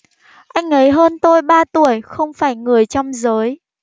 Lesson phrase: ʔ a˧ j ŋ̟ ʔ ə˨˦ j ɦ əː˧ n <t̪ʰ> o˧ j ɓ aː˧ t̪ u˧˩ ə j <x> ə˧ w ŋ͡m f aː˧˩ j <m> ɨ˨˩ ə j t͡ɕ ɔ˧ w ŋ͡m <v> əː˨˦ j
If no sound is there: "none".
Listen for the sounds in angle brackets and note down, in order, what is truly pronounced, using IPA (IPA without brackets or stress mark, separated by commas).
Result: t̪, x, ŋ, z